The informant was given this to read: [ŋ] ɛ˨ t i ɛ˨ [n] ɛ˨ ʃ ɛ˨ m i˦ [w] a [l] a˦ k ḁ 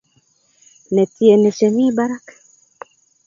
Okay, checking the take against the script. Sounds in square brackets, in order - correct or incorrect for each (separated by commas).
incorrect, correct, incorrect, incorrect